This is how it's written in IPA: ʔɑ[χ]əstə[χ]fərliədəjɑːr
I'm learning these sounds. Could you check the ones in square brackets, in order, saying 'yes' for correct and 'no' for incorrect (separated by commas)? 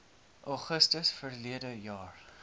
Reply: yes, no